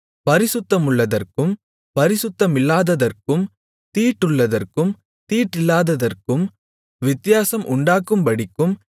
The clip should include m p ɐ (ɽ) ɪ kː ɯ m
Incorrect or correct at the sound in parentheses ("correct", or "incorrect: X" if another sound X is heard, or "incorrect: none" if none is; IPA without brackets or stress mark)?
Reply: correct